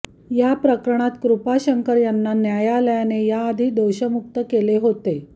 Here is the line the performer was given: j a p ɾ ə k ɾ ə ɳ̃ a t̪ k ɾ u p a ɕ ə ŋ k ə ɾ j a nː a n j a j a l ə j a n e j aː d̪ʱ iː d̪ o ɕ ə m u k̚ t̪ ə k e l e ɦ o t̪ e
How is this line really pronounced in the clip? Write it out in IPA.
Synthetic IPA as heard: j a p ɾ ə k ɾ ə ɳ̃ a t̪ k ɾ u p a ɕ ə ŋ k ə ɾ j a nː a n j a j a l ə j a n e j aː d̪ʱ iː d̪ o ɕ ə m u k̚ t̪ ə k e l e ɦ o t̪ e